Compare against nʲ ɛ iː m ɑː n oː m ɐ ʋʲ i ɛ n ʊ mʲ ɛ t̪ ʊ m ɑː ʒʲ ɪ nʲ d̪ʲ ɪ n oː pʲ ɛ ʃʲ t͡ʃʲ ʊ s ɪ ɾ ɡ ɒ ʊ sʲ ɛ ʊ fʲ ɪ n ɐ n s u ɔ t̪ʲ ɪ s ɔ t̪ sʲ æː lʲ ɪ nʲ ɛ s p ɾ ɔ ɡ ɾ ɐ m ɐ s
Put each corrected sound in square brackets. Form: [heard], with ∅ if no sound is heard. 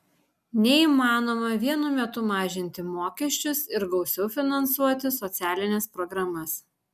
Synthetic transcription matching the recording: nʲ ɛ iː m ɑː n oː m ɐ ʋʲ i ɛ n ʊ mʲ ɛ t̪ ʊ m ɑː ʒʲ ɪ nʲ [t̪ʲ] ɪ [m] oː [kʲ] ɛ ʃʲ t͡ʃʲ ʊ s ɪ ɾ ɡ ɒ ʊ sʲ ɛ ʊ fʲ ɪ n ɐ n s u ɔ t̪ʲ ɪ s ɔ t̪ sʲ æː lʲ ɪ nʲ ɛ s p ɾ ɔ ɡ ɾ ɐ m ɐ s